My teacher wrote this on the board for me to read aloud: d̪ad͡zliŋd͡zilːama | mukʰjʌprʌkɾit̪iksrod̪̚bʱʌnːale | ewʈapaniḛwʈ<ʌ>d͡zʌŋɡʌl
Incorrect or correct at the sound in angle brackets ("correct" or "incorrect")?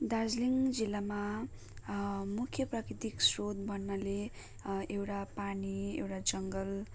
incorrect